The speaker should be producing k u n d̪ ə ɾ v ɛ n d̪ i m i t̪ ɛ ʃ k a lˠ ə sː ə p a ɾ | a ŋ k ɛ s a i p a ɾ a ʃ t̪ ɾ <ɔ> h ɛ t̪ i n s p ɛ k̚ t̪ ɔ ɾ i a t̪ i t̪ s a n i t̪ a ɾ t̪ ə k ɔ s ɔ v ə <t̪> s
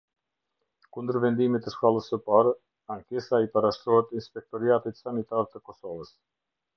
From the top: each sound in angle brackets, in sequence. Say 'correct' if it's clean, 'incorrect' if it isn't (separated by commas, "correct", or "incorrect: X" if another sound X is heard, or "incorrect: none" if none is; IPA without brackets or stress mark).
correct, incorrect: none